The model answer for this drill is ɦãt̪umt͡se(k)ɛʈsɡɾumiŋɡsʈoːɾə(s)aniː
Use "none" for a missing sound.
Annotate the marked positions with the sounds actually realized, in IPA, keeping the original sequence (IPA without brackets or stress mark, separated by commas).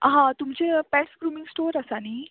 p, s